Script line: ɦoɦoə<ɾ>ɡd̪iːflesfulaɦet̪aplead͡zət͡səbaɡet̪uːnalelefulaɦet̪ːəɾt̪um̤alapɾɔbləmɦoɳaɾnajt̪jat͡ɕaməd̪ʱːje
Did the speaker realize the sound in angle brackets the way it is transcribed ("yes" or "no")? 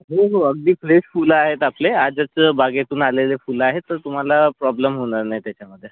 no